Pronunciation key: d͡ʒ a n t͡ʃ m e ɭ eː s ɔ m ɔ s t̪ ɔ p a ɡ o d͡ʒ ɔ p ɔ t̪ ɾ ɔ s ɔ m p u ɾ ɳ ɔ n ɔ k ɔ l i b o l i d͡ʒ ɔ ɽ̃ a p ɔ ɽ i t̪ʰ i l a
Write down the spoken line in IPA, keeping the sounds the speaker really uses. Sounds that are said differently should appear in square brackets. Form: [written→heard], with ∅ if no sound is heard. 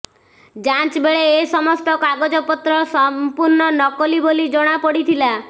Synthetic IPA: d͡ʒ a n t͡ʃ [m→b] e ɭ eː s ɔ m ɔ s t̪ ɔ [p→k] a ɡ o d͡ʒ ɔ p ɔ t̪ ɾ ɔ s ɔ m p u ɾ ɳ ɔ n ɔ k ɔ l i b o l i d͡ʒ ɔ ɽ̃ a p ɔ ɽ i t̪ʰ i l a